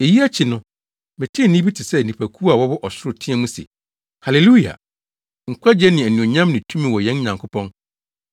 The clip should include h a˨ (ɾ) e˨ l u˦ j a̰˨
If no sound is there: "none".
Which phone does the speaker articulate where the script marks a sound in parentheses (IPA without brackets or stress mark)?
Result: l